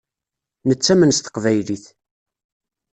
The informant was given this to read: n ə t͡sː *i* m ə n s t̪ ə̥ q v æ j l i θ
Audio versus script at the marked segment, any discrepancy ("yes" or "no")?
yes